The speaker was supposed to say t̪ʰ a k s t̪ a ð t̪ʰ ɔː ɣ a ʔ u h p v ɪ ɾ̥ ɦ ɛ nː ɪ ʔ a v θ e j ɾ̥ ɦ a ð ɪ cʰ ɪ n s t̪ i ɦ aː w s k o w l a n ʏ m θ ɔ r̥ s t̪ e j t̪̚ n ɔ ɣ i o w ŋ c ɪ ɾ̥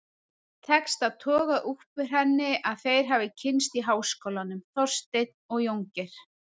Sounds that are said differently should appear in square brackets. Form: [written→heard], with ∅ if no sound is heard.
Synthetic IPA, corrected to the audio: t̪ʰ [a→ɛ] k s t̪ a ð t̪ʰ ɔː ɣ a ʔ u h p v ɪ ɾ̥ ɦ ɛ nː ɪ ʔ a [v→ð] θ e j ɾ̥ ɦ a [ð→v] ɪ cʰ ɪ n s t̪ i ɦ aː w s k o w l a n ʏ m θ ɔ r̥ s t̪ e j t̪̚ n ɔ ɣ [i→j] o w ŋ c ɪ ɾ̥

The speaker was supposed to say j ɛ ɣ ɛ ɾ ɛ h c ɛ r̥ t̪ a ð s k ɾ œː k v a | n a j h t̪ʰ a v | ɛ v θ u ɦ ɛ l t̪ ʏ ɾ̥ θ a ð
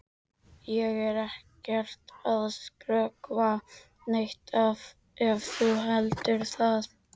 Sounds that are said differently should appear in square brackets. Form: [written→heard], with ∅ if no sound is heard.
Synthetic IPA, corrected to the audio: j ɛ ɣ ɛ ɾ ɛ h c ɛ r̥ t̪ a ð s k ɾ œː k v a | n [a→e] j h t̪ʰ a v | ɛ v θ u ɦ ɛ l t̪ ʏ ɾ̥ θ a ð

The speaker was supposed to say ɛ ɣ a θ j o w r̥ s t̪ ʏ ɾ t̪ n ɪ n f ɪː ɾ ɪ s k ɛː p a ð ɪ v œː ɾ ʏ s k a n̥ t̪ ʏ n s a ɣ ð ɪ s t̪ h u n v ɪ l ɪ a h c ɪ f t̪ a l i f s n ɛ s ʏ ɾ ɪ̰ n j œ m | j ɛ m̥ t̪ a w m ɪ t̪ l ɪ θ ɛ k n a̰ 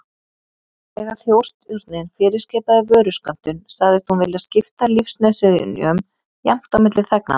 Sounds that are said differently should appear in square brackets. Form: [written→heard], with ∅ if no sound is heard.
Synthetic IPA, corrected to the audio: ɛ ɣ a θ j o w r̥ s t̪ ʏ ɾ t̪ n ɪ n f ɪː ɾ ɪ s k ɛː p a ð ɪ v œː ɾ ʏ s k a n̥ t̪ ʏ n s a ɣ ð ɪ s t̪ h u n v ɪ l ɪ a [h→s] c ɪ f t̪ a l i f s n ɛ s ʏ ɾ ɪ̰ n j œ m | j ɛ m̥ t̪ a w m ɪ t̪ l ɪ θ ɛ k n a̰

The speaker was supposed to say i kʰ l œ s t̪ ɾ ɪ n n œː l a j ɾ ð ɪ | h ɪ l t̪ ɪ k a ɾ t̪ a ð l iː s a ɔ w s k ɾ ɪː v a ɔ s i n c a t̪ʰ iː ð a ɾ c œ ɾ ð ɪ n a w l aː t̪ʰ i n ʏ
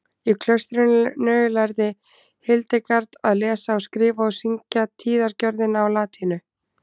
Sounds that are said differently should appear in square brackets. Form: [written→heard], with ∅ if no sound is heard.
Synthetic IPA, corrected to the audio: i kʰ l œ s t̪ ɾ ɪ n n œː l a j ɾ ð ɪ | h ɪ l t̪ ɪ k a ɾ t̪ a ð l [iː→ɛː] s a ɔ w s k ɾ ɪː v a ɔ s i [n→ɲ] c a t̪ʰ iː ð a ɾ c œ ɾ ð ɪ n a w l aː t̪ʰ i n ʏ

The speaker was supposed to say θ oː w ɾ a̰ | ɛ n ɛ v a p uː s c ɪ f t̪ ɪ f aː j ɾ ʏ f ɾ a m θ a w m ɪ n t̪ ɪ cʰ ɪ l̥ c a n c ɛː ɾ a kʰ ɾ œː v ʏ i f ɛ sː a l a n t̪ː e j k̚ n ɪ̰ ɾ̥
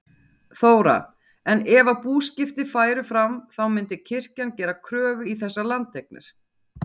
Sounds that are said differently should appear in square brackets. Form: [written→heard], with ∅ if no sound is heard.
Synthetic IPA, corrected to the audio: θ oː w ɾ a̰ | ɛ n ɛ v a p uː s c ɪ f t̪ ɪ f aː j ɾ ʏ f ɾ a m θ a w m ɪ n t̪ ɪ cʰ ɪ [l̥→r̥] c a n c ɛː ɾ a kʰ ɾ œː v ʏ i [f→θ] ɛ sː a l a n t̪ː e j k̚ n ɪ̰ ɾ̥

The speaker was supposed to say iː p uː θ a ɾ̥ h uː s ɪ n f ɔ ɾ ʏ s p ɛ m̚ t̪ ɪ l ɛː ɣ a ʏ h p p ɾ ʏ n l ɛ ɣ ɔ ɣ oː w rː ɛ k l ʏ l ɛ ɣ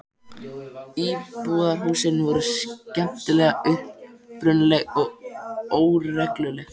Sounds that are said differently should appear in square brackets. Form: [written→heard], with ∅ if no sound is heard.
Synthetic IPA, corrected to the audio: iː p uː [θ→ð] a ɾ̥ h uː s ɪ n [f→v] ɔ ɾ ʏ s [p→c] ɛ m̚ t̪ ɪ l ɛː ɣ a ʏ h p p ɾ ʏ n l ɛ ɣ ɔ ɣ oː w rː ɛ k l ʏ l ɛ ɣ

